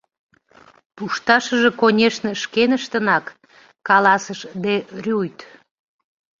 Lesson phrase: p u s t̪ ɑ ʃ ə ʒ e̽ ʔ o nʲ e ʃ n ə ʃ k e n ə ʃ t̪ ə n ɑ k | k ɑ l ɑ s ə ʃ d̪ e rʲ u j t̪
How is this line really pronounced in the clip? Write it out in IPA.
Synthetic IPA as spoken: p u ʃ t̪ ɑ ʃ ə ʒ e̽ k o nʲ e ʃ n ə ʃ k e n ə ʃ t̪ ə n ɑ k | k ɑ l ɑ s ə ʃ d̪ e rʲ u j t̪